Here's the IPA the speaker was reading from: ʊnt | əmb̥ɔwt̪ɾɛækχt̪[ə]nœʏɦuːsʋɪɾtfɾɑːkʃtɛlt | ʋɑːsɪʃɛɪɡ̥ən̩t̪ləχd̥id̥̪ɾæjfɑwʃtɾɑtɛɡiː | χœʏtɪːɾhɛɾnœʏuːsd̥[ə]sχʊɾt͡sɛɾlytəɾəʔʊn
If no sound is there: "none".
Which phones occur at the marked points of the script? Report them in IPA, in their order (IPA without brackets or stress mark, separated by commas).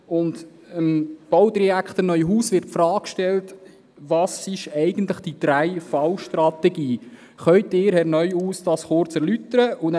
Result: ə, ɑ